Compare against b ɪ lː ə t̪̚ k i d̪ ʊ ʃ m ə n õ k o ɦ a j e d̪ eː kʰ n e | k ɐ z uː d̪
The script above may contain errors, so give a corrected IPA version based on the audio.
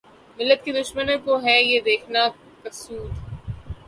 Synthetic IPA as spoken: m ɪ lː ə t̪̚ k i d̪ ʊ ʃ m ə n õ k o ɦ ɛ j e d̪ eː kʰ n a | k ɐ s uː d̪